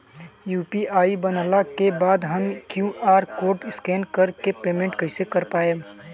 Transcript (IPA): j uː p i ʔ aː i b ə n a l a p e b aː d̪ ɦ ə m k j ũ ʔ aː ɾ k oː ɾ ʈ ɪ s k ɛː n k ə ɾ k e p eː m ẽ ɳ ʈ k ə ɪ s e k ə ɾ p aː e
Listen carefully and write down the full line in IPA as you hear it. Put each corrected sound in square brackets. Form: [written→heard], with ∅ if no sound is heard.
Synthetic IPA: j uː p i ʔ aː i b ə n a l a [p→k] e b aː d̪ ɦ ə m k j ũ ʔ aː ɾ k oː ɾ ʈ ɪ s k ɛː n k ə ɾ k e p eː m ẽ ɳ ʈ k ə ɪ s e k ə ɾ p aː e